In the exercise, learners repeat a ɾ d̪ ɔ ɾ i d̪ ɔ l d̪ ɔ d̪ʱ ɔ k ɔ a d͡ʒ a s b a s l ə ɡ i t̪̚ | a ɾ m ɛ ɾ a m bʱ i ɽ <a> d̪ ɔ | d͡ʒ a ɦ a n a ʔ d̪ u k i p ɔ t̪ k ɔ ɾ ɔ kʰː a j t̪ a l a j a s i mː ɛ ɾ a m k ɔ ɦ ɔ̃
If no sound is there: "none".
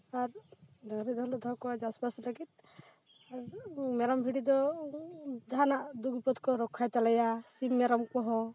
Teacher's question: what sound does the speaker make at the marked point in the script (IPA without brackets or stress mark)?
i